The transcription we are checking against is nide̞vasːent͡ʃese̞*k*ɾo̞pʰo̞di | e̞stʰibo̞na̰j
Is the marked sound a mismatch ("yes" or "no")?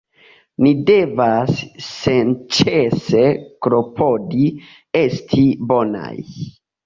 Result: no